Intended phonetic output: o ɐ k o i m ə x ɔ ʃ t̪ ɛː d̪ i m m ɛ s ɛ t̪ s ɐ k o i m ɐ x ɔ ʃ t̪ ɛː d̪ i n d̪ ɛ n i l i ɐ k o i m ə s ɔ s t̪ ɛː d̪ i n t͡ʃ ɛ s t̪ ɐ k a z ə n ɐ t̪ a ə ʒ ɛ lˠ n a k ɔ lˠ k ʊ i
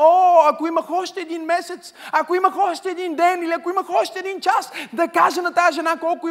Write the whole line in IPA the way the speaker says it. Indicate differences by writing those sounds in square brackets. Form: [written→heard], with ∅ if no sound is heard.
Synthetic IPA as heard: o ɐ k o i m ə x ɔ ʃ t̪ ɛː d̪ i [m→n] m ɛ s ɛ t̪ s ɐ k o i m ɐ x ɔ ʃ t̪ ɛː d̪ i n d̪ ɛ n i l i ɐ k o i m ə [s→x] ɔ [s→ʃ] t̪ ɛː d̪ i n t͡ʃ [ɛ→a] s [t̪→d̪] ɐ k a [z→ʒ] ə n ɐ t̪ a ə ʒ ɛ [lˠ→∅] n a k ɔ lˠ k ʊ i